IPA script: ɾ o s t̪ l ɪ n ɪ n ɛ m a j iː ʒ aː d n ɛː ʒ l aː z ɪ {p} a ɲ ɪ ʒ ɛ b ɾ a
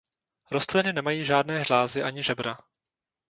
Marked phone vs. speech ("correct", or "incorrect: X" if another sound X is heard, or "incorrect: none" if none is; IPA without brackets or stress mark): incorrect: ʔ